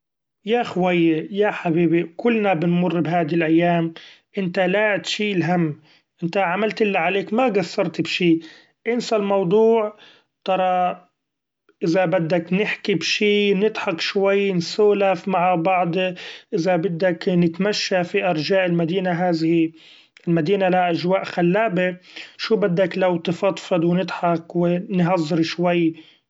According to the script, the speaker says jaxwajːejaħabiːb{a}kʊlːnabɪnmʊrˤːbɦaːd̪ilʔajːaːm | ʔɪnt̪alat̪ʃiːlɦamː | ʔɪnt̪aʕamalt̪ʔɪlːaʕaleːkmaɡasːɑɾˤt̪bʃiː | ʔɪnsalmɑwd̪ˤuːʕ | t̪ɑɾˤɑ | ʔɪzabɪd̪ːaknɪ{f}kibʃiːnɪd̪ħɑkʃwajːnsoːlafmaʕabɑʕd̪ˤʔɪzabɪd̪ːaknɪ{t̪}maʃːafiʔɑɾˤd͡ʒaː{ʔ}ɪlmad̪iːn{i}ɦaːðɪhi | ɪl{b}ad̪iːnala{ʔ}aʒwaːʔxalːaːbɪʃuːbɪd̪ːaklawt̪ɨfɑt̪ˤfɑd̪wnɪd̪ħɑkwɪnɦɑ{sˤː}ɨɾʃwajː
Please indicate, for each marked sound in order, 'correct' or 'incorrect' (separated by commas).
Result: incorrect, incorrect, correct, correct, incorrect, incorrect, correct, incorrect